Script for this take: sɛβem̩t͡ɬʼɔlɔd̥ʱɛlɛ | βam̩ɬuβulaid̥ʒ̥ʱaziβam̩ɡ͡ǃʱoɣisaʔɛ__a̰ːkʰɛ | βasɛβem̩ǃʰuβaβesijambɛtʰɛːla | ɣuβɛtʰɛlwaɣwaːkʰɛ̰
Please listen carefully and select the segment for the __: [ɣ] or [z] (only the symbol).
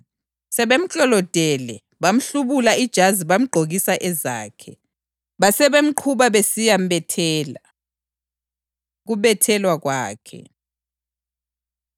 z